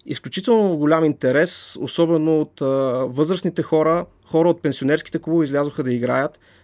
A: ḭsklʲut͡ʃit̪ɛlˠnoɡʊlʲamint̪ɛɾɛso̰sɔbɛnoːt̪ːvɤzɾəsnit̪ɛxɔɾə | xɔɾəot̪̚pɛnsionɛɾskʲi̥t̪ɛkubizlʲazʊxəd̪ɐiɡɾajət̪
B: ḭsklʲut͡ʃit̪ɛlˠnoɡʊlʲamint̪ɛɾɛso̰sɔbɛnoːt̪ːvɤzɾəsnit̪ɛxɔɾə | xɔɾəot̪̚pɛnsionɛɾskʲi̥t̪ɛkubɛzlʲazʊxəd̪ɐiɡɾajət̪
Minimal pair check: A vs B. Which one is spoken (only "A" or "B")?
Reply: A